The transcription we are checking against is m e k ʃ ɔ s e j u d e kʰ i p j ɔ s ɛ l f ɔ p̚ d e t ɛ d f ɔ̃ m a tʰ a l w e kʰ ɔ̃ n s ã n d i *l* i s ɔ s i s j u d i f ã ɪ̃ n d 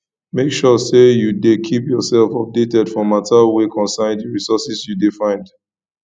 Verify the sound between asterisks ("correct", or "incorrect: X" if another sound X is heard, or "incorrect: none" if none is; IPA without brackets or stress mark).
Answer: incorrect: ɹ